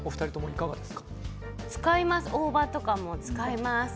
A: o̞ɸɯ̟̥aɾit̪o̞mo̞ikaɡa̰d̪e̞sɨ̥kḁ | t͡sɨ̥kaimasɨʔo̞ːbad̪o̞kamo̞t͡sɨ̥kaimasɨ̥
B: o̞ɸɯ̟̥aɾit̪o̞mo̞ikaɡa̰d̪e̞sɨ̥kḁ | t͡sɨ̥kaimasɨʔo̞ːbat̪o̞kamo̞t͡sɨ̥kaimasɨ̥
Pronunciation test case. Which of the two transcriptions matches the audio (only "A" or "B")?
B